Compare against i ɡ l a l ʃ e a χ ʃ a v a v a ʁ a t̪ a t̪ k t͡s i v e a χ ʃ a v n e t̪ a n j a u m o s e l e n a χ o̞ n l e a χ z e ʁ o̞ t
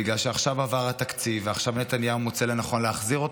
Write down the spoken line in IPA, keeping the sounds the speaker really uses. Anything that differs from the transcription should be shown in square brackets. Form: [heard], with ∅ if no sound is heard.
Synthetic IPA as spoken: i ɡ l a l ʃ e a χ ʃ a v a v a ʁ a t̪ a [∅] k t͡s i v e a χ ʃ a v n e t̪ a n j a u m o [t͡s] e l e n a χ o̞ n l e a χ z [i] ʁ o̞ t